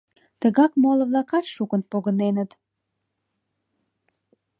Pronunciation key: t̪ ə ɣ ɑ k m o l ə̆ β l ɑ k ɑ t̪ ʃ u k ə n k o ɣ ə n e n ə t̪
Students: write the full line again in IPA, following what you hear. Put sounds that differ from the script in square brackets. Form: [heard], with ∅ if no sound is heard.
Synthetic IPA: t̪ ə ɣ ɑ k m o l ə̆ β l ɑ k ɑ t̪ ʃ u k ə n [p] o ɣ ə n e n ə t̪